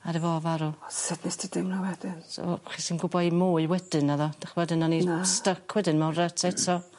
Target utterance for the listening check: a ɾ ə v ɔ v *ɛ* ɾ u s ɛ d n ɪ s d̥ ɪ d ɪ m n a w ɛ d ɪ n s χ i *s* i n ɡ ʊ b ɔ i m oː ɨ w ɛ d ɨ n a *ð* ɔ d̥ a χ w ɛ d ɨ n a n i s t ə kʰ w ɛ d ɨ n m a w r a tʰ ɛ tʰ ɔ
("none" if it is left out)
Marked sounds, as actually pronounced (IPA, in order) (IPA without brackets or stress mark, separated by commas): a, s, ð